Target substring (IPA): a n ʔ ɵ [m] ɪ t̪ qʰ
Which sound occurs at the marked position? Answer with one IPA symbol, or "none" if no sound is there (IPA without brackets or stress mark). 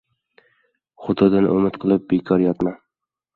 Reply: m